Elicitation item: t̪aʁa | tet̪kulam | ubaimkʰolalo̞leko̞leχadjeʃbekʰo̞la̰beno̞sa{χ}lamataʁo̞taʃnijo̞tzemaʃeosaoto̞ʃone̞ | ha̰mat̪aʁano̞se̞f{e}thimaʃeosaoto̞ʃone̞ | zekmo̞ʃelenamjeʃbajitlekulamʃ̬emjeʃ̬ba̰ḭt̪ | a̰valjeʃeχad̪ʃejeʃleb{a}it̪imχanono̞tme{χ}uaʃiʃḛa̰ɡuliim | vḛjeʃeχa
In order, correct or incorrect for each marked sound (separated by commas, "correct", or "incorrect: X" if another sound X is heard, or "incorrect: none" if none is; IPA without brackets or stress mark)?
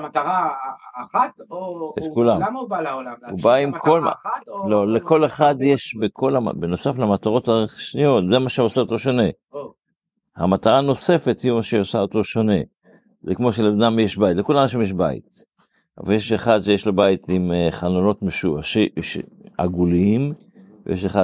incorrect: f, correct, correct, incorrect: ʃ